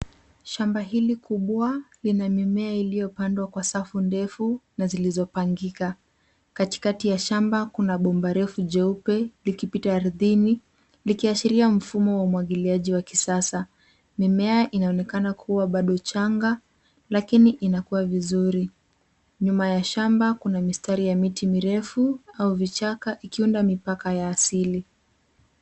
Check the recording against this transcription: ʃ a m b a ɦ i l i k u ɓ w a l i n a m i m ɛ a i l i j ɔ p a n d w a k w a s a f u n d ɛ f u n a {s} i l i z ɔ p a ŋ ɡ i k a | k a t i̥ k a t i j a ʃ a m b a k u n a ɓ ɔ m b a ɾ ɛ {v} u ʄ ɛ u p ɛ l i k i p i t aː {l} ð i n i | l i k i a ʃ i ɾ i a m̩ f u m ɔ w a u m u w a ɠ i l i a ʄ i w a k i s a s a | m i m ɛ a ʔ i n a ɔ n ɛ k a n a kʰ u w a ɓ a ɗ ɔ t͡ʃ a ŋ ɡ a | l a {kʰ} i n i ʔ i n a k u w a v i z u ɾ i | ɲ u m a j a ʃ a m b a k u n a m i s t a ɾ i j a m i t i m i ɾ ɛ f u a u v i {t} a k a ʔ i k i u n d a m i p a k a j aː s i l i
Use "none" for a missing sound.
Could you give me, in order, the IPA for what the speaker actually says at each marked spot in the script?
z, f, ɾ, k, t͡ʃ

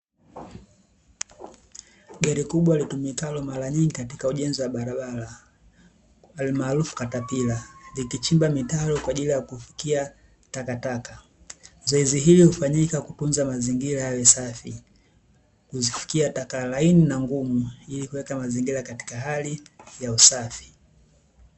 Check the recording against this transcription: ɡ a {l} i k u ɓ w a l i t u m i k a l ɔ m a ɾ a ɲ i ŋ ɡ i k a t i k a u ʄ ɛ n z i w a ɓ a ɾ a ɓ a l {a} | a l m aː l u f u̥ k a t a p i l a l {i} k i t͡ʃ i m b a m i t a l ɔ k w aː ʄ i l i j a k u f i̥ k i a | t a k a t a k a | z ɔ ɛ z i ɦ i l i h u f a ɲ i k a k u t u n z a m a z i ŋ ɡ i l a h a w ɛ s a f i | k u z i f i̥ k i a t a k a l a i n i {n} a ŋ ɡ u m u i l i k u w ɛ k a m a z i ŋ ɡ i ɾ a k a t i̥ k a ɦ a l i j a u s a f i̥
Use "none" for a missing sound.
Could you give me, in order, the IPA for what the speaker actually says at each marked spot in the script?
ɾ, a, i, n

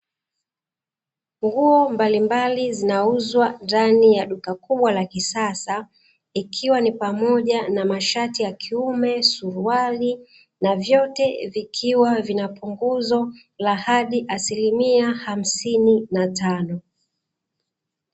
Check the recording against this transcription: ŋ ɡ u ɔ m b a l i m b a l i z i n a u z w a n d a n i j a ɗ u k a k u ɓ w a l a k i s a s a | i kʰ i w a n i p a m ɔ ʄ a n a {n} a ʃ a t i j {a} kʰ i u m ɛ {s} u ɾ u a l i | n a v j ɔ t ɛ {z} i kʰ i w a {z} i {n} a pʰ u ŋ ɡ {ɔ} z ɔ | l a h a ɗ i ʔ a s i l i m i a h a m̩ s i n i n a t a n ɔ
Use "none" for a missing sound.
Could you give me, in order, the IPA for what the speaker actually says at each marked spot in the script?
m, a, s, v, v, n, u

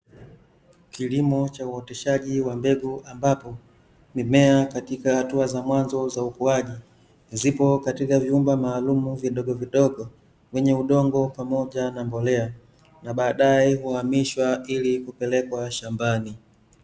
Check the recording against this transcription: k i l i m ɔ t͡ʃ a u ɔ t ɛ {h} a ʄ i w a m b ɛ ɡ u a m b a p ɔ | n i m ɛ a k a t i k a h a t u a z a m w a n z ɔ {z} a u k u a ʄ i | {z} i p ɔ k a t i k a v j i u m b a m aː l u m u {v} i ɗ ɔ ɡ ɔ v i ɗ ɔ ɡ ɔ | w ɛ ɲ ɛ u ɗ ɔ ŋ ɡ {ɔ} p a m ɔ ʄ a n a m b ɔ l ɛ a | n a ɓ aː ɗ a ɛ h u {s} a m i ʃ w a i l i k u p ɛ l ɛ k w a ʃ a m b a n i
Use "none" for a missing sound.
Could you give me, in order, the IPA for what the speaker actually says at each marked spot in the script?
ʃ, z, z, v, ɔ, h

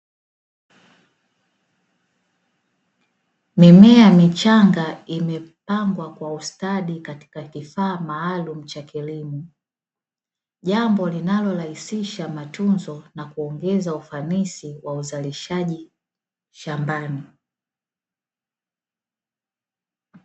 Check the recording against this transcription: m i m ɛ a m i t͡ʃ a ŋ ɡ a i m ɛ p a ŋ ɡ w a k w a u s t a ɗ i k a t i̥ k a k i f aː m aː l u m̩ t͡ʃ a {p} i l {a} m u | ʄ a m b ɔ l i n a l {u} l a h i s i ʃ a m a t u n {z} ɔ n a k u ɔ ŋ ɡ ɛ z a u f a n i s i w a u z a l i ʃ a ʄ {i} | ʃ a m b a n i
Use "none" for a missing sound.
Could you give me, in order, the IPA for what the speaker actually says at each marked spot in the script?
k, i, ɔ, z, i

